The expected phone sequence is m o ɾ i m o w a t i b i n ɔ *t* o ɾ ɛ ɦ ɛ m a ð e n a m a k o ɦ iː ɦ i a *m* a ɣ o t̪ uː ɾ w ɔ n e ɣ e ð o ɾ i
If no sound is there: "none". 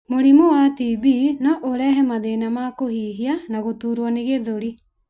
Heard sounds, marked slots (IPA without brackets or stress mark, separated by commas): ʔ, n